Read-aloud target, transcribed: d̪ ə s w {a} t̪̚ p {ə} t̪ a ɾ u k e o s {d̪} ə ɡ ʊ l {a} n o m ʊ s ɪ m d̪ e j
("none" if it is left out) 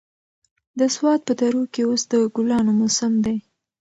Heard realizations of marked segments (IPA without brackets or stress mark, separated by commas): ɑ, ə, d̪, ɑ